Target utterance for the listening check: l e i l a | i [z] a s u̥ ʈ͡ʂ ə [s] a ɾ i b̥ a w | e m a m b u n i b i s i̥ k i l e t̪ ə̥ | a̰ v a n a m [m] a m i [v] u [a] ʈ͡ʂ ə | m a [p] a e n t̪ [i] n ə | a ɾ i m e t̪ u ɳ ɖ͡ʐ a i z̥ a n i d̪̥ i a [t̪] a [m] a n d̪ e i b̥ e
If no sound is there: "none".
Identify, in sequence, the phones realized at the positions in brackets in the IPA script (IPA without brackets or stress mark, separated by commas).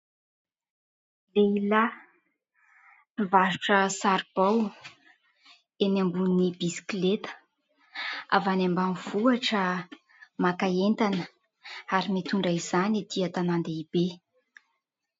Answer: v, s, b, v, a, k, a, t̪, n